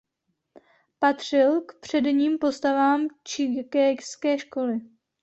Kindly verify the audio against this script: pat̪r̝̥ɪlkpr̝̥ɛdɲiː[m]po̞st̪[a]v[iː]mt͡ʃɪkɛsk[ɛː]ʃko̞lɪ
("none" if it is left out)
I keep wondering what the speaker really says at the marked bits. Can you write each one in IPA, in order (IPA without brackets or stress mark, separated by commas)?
m, a, aː, ɛː